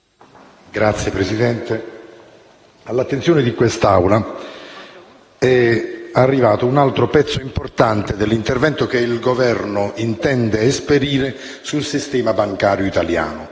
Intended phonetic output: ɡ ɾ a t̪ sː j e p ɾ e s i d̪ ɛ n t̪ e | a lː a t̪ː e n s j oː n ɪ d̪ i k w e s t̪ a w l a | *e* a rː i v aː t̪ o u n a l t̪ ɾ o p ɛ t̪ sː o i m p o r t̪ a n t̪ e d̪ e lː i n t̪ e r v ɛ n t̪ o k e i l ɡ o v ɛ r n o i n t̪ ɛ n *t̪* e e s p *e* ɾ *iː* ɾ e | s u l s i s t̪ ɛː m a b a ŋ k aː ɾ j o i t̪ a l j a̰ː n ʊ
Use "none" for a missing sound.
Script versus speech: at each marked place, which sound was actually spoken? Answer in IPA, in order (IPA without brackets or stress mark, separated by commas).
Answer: ɛ, d̪, e, iː